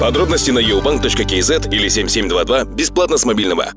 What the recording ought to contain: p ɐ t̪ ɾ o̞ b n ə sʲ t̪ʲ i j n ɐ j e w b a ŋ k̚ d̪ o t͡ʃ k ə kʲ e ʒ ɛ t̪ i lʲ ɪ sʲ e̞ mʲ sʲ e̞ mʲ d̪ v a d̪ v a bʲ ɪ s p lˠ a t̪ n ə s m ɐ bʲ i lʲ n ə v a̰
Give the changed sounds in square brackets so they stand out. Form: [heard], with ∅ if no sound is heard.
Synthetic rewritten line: p ɐ [d̪] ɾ o̞ b n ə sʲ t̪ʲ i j n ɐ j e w b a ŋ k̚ [t̪] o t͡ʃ k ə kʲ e [z] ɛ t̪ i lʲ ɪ sʲ e̞ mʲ sʲ e̞ mʲ d̪ v a d̪ v a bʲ ɪ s p lˠ a t̪ n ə s m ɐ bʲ i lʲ n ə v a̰